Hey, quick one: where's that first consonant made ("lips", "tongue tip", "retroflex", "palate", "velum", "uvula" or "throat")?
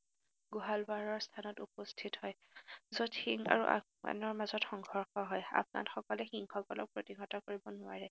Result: velum